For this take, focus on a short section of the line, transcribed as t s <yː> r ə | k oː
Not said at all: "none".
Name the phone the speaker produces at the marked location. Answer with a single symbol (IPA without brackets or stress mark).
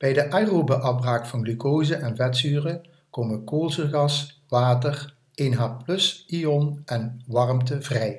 yː